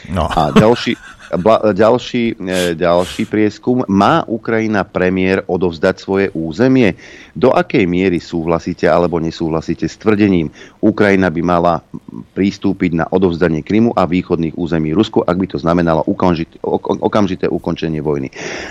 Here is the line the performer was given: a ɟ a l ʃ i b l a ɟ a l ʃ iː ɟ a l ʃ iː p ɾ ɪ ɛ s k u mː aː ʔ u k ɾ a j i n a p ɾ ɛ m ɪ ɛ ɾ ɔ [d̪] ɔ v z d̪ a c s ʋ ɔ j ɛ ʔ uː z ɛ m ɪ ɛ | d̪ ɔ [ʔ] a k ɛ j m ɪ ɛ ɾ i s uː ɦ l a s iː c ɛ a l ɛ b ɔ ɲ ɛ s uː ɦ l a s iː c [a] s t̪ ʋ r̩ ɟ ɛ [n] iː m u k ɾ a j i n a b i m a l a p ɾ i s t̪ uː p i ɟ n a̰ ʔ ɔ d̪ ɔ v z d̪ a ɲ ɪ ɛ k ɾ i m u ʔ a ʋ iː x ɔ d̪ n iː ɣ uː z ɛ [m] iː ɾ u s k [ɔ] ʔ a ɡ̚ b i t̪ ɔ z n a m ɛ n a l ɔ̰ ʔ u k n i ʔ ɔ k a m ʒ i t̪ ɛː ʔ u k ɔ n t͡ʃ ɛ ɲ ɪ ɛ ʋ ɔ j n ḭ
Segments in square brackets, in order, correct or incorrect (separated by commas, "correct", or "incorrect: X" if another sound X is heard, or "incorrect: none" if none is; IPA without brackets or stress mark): correct, correct, incorrect: ɛ, incorrect: ɲ, correct, incorrect: u